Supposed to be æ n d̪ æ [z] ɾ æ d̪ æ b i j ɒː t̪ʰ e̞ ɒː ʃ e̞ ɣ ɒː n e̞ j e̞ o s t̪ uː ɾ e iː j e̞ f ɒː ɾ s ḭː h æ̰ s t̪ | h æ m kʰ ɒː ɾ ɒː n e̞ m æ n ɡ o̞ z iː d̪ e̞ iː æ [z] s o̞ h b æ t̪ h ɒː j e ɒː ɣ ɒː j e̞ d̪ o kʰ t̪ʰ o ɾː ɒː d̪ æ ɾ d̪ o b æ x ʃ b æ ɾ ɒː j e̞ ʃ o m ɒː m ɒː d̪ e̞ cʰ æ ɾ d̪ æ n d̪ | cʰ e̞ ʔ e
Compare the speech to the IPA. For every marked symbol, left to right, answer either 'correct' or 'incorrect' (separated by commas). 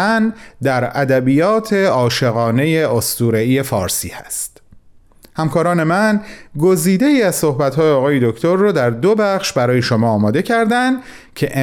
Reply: incorrect, correct